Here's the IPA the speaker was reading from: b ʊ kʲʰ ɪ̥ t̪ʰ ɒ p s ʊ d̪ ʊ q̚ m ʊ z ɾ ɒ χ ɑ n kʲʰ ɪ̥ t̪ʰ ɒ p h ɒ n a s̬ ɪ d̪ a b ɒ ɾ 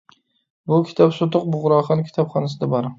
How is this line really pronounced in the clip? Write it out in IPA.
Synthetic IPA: b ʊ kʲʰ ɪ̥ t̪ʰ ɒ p s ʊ t̪ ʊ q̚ b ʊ ʁ ɾ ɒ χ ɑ n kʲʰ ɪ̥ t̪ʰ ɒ p χ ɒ n a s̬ ɪ d̪ a b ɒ ɾ